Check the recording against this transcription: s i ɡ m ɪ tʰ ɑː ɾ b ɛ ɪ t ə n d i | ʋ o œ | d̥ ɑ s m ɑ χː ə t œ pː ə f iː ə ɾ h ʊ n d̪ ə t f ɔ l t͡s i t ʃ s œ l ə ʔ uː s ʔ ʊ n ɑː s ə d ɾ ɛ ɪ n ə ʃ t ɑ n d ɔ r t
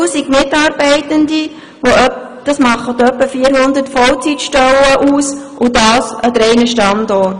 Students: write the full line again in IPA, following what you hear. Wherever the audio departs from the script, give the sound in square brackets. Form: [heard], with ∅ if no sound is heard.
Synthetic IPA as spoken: s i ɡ m ɪ [t] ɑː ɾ b ɛ ɪ t ə n d i | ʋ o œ | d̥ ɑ s m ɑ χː ə t œ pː ə f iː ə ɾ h ʊ n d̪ ə t f ɔ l t͡s i t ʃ [t] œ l ə ʔ uː s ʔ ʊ [d] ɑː s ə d ɾ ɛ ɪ n ə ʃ t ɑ n d ɔ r t